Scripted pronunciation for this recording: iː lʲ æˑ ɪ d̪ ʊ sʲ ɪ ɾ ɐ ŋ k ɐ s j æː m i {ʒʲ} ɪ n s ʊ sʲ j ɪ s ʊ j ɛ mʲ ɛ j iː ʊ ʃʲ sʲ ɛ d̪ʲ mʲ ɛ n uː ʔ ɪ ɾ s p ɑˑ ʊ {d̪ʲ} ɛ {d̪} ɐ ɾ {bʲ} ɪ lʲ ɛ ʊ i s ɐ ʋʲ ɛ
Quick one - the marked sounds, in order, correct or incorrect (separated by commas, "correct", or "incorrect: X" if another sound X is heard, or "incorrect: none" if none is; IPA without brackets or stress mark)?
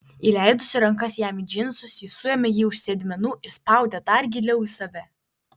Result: incorrect: d͡ʒʲ, correct, correct, incorrect: ɡʲ